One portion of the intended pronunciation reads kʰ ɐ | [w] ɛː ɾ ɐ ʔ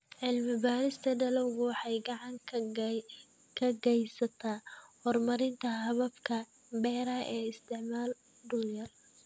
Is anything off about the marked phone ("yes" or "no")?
yes